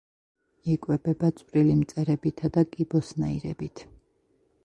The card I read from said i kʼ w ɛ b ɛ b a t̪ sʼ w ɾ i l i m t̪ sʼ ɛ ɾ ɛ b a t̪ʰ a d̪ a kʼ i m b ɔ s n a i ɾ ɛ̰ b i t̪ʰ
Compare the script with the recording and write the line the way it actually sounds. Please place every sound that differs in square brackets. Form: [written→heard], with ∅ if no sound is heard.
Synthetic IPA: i kʼ w ɛ b ɛ b a t̪ sʼ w ɾ i l i m t̪ sʼ ɛ ɾ ɛ b [a→i] t̪ʰ a d̪ a kʼ i [m→∅] b ɔ s n a i ɾ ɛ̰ b i t̪ʰ